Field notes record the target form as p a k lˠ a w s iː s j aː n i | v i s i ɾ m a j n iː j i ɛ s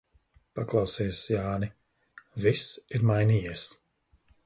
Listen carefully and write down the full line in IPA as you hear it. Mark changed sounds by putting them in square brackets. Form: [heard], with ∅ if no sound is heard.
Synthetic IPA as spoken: p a k lˠ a w s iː s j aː n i | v i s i ɾ m a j n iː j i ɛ s